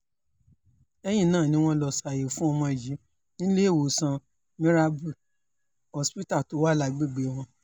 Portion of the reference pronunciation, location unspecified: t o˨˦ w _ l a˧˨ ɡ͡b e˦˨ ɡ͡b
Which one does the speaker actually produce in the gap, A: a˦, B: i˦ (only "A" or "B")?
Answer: A